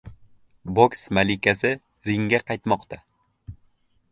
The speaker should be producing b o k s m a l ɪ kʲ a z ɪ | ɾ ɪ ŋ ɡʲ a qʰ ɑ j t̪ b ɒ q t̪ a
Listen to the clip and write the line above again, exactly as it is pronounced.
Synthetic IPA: b o k s m a l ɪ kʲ a s ɪ | ɾ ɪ ŋ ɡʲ a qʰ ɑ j t̪ m ɒ q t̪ a